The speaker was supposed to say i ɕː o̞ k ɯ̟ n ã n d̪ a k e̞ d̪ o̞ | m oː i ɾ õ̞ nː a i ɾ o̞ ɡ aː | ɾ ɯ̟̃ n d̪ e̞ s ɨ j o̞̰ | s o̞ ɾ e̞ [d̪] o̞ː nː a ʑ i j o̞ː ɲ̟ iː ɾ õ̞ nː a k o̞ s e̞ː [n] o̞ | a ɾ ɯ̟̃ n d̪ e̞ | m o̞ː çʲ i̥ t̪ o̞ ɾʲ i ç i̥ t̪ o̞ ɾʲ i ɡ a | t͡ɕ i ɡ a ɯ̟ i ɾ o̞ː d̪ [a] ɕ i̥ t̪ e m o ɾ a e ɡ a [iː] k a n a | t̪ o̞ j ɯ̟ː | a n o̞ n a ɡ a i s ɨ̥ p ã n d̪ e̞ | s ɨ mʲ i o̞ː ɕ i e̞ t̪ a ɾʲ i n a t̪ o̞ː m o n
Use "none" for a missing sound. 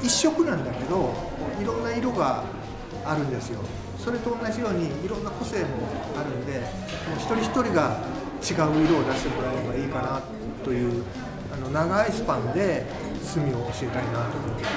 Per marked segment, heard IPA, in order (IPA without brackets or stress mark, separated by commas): t̪, m, a, iː